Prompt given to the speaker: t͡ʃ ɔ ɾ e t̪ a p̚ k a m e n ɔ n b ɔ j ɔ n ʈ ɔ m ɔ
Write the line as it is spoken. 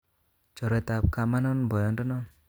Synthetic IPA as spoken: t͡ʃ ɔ ɾ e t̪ a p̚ k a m a n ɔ n b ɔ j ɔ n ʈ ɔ n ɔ